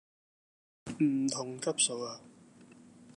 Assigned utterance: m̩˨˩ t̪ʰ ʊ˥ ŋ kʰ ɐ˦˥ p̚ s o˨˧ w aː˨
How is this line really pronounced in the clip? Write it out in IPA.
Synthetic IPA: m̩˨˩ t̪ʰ ʊ˨˩ ŋ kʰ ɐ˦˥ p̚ s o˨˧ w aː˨